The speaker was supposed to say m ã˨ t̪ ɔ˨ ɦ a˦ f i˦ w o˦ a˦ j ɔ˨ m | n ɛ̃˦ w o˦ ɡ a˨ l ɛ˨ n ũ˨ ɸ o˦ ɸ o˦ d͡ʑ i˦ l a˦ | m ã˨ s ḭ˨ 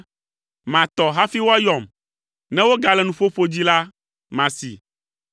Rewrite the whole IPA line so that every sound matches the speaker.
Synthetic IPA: m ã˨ t̪ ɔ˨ ɦ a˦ f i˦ w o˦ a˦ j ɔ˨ m | n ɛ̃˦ w o˦ ɡ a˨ l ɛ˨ n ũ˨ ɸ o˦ ɸ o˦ d͡ʑ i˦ l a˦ | m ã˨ s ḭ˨

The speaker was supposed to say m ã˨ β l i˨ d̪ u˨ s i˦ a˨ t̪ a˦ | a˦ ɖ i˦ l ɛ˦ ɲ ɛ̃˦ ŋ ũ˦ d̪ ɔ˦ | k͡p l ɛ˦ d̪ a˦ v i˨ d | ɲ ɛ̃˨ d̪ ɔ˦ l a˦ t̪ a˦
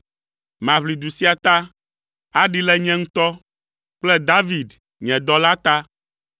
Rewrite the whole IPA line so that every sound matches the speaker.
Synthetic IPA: m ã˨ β l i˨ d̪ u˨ s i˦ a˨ t̪ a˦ | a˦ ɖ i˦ l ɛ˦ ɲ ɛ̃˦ ŋ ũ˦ t̪ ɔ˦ | k͡p l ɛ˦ d̪ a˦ v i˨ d | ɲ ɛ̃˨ d̪ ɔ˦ l a˦ t̪ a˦

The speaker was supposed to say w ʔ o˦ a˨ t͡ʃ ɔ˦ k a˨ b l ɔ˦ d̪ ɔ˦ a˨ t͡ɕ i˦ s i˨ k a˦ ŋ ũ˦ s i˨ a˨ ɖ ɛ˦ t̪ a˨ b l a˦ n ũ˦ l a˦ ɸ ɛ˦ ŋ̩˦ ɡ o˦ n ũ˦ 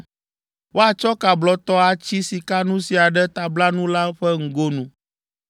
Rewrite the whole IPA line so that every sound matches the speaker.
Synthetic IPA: w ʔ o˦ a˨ t͡ʃ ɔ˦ k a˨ b l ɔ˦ t̪ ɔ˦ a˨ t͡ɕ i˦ s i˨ k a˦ n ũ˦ s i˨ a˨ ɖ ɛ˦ t̪ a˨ b l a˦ n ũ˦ l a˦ ɸ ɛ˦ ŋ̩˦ ɡ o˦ n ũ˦

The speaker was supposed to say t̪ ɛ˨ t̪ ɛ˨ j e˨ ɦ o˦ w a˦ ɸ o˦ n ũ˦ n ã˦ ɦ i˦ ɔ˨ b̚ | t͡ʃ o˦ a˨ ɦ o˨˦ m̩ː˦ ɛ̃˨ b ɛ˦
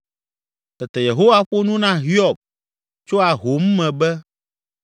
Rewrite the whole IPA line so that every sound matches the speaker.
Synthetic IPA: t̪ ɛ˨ t̪ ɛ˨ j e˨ ɦ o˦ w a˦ ɸ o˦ n ũ˦ n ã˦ ɦ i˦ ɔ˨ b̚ | t͡ʃ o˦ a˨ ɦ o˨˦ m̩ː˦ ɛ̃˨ b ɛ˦

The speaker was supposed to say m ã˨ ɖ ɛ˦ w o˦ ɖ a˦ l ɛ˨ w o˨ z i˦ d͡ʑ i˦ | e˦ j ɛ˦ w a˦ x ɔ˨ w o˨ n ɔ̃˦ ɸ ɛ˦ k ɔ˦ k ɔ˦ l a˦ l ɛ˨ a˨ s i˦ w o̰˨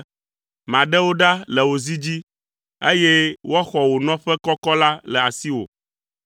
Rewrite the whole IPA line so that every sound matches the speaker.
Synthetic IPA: m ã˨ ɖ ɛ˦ w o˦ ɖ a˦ l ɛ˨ w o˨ z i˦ d͡ʑ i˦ | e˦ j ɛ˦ w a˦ x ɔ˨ w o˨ n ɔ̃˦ ɸ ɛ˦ k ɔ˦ k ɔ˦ l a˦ l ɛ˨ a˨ s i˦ w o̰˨

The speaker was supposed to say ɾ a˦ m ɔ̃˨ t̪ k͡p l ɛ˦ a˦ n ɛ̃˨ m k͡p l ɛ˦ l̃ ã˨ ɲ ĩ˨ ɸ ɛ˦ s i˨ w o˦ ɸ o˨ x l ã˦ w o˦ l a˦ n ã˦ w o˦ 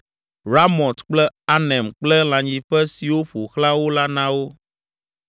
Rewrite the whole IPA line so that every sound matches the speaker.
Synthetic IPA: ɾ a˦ m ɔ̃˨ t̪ k͡p l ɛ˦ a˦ n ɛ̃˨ m k͡p l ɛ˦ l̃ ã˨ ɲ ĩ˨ ɸ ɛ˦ s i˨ w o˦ ɸ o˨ x l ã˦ w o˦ l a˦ n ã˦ w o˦

